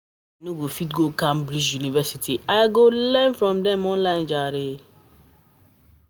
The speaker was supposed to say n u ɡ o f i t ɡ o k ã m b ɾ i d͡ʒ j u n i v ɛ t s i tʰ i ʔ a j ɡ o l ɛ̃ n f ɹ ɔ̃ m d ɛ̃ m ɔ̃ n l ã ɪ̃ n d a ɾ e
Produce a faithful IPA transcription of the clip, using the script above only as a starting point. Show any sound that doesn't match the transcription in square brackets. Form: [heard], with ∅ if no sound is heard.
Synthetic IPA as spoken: n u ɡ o f i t ɡ o k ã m b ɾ i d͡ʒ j u n i v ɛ [∅] s i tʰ i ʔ a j ɡ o l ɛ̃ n f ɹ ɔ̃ m d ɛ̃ m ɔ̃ n l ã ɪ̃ n [d͡ʒ] a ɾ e